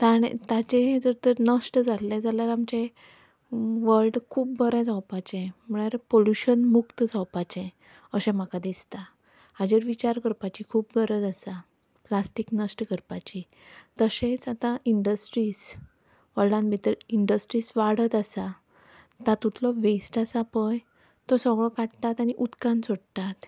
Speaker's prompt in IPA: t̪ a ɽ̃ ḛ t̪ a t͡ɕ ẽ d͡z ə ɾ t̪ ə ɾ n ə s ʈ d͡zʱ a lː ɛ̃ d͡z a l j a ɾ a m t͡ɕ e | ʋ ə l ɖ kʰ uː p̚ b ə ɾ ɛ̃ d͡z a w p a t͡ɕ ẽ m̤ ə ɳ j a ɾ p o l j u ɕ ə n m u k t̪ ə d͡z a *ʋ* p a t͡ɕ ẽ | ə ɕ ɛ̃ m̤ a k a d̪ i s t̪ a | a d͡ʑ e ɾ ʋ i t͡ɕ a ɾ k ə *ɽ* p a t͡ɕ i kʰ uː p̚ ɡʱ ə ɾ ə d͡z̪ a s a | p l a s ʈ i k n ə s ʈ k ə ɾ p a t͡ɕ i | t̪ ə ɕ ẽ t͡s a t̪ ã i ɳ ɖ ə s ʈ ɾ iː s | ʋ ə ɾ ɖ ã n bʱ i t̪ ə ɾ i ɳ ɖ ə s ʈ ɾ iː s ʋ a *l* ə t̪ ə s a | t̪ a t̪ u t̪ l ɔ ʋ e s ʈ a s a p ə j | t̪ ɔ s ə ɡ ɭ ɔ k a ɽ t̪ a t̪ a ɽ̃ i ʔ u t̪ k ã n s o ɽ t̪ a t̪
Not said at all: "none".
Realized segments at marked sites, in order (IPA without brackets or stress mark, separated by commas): w, ɾ, ɽ